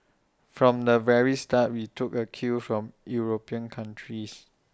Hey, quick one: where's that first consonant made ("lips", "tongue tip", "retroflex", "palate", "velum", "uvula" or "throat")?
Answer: lips